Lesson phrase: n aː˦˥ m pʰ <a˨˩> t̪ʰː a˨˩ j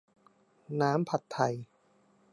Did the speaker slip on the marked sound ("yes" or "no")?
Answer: no